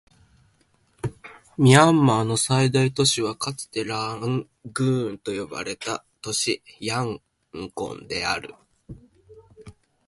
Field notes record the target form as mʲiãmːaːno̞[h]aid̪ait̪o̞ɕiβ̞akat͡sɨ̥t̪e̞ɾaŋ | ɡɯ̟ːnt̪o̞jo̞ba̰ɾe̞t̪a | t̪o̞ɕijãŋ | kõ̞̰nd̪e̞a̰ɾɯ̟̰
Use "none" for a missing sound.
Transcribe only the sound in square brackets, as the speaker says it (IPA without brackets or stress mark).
s